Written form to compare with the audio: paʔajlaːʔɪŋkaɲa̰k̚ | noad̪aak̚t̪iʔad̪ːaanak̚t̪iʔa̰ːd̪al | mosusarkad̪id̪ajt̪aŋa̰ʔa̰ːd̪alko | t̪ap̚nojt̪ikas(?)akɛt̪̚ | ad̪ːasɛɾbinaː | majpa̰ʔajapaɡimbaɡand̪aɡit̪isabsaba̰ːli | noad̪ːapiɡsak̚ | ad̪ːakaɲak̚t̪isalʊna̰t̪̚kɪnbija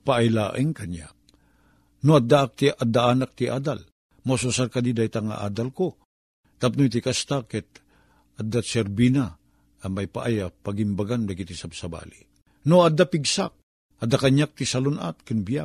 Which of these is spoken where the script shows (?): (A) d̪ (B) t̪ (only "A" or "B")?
B